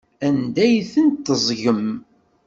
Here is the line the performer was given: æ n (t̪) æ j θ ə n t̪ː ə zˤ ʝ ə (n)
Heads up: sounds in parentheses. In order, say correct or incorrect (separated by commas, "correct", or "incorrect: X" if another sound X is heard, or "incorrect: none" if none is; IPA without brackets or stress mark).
incorrect: d̪, incorrect: m